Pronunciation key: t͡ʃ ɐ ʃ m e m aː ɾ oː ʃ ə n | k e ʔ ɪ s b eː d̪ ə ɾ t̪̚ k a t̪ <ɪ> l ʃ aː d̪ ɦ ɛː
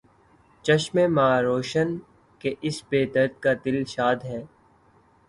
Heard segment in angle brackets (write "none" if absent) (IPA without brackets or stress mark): ɪ